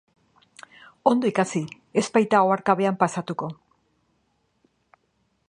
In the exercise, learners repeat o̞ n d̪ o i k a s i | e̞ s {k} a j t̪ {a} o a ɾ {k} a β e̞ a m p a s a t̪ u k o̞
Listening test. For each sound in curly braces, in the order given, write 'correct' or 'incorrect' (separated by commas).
incorrect, correct, correct